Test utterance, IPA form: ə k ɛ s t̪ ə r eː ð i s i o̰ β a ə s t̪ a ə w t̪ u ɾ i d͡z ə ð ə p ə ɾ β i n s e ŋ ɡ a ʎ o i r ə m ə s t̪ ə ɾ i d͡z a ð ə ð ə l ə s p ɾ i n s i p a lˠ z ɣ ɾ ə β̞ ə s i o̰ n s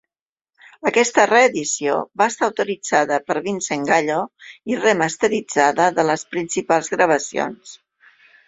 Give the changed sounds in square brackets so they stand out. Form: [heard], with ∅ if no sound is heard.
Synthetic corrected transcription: ə k ɛ s t̪ ə r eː ð i s i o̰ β a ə s t̪ a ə w t̪ u ɾ i d͡z [a] ð ə p ə ɾ β i n s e ŋ ɡ a ʎ o i r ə m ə s t̪ ə ɾ i d͡z a ð ə ð ə l ə s p ɾ i n s i p a lˠ z ɣ ɾ ə β̞ ə s i o̰ n s